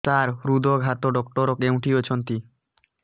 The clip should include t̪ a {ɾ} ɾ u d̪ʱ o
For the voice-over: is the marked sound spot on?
yes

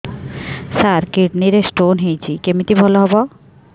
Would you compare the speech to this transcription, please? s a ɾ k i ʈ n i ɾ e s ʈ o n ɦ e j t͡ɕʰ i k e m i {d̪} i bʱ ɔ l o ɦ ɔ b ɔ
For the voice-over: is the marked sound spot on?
no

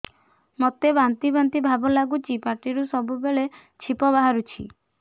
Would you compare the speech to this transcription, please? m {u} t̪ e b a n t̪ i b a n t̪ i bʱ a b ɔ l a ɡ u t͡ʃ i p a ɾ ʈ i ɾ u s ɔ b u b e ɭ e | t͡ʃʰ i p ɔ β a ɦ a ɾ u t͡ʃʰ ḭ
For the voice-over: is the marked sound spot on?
no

